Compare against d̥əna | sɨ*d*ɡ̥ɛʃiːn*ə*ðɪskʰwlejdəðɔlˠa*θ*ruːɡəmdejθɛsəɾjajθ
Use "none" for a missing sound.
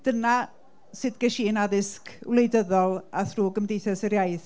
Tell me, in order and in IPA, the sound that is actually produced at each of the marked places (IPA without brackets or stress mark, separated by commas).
d, a, θ